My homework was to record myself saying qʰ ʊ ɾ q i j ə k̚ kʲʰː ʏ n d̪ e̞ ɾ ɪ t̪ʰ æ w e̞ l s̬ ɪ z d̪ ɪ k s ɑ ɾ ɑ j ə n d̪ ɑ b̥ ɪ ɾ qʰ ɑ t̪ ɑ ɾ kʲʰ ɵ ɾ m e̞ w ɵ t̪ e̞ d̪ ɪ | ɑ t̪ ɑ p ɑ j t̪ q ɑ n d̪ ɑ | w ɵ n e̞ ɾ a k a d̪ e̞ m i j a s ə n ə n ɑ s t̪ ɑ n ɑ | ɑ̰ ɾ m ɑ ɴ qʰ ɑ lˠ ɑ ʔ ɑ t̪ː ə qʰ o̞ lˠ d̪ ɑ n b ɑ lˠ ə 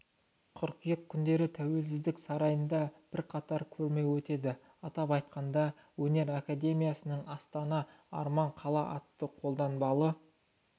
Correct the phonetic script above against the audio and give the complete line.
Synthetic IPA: qʰ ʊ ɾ q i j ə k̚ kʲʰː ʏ n d̪ e̞ ɾ ɪ t̪ʰ æ w e̞ l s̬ ɪ z d̪ ɪ k s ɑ ɾ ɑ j ə n d̪ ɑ b̥ ɪ ɾ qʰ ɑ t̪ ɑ ɾ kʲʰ ɵ ɾ m e̞ w ɵ t̪ e̞ d̪ ɪ | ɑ t̪ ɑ p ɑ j t̪ q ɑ n d̪ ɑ | w ɵ n e̞ ɾ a k a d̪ e̞ m i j a s ə n ə ɴ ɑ s t̪ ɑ n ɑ | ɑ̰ ɾ m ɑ ɴ qʰ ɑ lˠ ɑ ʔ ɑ t̪ː ə qʰ o̞ lˠ d̪ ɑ n b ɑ lˠ ə